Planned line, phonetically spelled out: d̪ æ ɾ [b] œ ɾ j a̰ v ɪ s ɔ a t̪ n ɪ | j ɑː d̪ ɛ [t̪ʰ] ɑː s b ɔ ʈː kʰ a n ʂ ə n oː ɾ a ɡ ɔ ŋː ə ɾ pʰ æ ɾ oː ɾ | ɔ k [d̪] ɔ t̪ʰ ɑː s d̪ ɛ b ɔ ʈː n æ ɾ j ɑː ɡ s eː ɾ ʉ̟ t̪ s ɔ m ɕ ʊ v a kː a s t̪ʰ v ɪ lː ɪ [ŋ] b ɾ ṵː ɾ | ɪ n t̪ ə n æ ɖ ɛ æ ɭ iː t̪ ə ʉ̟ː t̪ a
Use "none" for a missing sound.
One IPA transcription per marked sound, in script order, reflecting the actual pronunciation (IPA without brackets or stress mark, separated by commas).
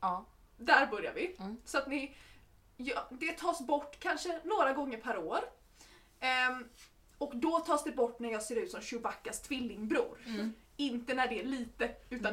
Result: b, t̪ʰ, d̪, ŋ